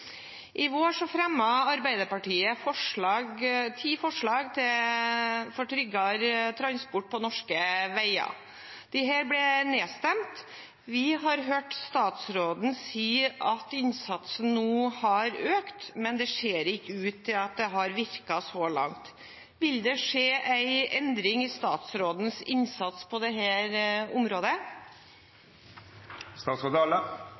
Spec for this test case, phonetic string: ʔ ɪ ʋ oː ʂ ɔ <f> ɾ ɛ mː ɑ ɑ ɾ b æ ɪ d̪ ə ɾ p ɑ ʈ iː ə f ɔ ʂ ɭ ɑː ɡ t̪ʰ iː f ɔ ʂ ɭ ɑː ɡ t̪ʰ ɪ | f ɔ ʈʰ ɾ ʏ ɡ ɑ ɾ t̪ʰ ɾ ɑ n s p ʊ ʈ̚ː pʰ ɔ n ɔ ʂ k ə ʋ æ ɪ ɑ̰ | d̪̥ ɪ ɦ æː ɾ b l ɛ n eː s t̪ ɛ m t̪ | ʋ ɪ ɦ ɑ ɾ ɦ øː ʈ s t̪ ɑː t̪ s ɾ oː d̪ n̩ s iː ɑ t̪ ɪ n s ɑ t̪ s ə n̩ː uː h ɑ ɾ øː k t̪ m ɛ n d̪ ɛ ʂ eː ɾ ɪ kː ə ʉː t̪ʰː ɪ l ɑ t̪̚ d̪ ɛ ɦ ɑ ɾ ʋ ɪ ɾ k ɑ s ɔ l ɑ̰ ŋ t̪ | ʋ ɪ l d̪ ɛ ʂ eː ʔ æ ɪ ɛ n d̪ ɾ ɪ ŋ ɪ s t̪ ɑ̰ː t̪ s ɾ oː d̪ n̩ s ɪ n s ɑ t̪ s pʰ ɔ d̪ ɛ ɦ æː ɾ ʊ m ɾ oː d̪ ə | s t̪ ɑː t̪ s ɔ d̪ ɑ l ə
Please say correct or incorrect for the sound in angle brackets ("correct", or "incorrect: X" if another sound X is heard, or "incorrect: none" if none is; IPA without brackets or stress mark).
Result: correct